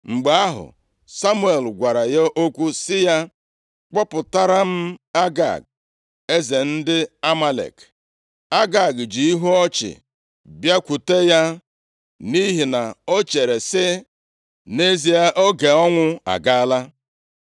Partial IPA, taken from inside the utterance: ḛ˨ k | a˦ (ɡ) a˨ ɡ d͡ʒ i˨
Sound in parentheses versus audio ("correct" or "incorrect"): correct